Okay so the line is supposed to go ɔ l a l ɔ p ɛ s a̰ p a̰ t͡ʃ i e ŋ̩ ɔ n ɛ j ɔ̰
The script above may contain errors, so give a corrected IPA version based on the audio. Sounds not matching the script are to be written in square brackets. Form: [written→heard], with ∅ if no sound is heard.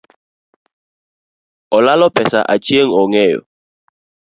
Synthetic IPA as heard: ɔ l a l ɔ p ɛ s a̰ [p→ʔ] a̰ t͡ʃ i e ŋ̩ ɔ [n→ŋ] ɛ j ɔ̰